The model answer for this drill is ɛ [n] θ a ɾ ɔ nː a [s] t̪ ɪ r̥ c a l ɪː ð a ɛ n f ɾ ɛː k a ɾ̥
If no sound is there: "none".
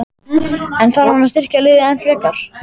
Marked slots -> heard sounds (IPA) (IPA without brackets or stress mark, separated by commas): n, s